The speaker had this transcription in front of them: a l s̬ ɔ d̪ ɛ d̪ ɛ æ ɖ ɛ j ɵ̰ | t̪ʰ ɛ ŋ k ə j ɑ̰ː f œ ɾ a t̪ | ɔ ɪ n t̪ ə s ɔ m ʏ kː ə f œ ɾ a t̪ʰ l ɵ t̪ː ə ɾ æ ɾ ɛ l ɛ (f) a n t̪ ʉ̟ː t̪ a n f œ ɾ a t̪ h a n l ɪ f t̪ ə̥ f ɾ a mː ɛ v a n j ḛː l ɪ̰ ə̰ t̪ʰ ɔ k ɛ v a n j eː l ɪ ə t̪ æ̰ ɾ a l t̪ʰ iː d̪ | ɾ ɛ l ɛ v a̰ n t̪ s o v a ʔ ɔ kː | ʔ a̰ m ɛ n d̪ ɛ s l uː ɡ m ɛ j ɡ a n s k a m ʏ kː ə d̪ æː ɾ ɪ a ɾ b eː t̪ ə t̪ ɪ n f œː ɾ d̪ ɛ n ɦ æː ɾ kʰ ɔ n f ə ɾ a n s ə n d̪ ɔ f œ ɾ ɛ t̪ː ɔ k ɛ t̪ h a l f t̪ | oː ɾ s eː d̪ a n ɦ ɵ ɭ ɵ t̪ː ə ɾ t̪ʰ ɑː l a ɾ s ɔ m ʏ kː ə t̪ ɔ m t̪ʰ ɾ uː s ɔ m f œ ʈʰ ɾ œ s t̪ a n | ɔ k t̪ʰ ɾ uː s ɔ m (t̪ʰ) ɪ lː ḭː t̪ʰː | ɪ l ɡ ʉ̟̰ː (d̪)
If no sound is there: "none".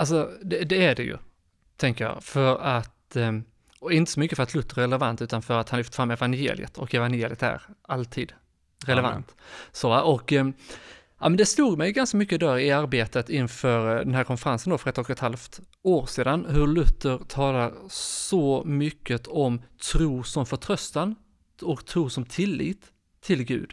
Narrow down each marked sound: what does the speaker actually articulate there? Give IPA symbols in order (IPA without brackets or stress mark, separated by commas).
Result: v, t̪ʰ, d̪